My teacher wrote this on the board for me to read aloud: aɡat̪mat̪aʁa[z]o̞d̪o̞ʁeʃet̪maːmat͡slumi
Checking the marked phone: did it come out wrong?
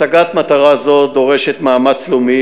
no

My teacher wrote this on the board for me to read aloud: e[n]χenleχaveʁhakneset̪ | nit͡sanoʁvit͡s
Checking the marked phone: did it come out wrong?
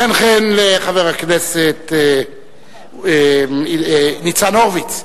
no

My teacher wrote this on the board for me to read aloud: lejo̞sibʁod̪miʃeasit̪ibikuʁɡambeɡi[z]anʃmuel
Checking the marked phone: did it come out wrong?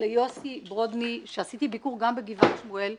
yes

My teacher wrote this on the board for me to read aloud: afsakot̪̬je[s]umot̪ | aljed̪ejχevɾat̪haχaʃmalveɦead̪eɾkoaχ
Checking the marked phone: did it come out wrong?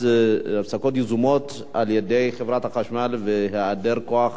yes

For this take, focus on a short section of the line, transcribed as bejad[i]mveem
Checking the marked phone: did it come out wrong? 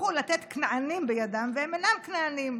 yes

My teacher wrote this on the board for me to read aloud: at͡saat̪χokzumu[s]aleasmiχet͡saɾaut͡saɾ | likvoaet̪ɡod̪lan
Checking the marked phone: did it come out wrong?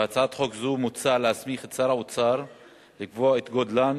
yes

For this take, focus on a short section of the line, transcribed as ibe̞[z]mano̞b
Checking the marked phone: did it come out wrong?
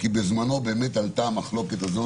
no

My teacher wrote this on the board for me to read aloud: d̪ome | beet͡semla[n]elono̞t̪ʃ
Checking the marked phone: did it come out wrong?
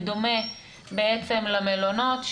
yes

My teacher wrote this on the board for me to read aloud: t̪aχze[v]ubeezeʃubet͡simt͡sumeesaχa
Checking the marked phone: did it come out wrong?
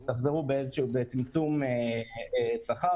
yes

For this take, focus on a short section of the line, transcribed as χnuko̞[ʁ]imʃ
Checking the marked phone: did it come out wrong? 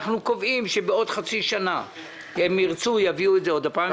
yes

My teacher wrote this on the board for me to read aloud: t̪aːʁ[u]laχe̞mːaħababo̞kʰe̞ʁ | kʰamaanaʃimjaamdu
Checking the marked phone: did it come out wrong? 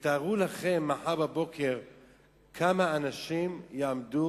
no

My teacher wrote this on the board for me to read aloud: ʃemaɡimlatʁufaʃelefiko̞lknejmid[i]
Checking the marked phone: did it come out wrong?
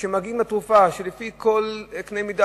yes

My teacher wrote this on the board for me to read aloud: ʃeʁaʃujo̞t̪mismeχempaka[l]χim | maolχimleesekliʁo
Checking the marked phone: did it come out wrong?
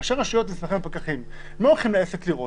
yes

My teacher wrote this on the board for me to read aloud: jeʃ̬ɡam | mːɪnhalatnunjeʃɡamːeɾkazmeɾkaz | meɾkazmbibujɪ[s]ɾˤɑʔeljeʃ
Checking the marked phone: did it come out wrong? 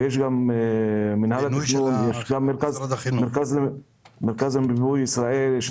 no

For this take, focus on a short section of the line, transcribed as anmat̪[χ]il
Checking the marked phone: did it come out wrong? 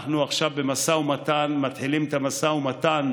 yes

